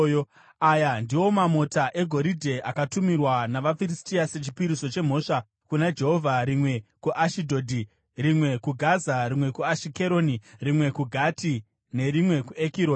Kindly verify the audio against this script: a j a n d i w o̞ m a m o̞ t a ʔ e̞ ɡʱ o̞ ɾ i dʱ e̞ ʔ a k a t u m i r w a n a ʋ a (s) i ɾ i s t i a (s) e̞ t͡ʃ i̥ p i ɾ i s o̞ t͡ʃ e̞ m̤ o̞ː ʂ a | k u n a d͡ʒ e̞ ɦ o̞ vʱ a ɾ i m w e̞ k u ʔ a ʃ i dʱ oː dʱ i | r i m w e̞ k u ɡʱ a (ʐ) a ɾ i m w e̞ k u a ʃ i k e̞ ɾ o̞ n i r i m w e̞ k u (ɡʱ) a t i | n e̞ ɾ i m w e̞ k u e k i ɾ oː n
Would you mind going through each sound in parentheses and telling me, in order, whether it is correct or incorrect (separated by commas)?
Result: incorrect, correct, incorrect, correct